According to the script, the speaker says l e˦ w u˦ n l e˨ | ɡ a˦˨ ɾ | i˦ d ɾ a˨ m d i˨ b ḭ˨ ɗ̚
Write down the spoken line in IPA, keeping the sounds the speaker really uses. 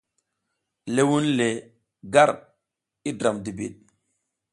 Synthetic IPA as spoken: l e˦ w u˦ n l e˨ | ɡ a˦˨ ɾ | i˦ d ɾ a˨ m d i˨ b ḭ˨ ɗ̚